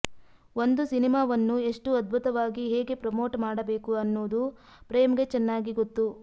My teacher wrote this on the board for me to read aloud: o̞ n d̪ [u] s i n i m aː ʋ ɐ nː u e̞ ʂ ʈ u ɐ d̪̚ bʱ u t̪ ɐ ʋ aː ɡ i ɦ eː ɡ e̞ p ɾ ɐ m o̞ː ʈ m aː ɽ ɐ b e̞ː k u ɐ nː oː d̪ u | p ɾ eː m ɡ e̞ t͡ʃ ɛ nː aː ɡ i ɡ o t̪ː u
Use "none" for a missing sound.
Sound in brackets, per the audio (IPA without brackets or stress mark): u